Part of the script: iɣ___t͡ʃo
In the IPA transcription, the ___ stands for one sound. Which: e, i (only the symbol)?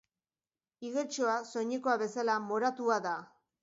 e